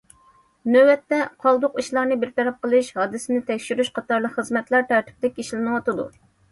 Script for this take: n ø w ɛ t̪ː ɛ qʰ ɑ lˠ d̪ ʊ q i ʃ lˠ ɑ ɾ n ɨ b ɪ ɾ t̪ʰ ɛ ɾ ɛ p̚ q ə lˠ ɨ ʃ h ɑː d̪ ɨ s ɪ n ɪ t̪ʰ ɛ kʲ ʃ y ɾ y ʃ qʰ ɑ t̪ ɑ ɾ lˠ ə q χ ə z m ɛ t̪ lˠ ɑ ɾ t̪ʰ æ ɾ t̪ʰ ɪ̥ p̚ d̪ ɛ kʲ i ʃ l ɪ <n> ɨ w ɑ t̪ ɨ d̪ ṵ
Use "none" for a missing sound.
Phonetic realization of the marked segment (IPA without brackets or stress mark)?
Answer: n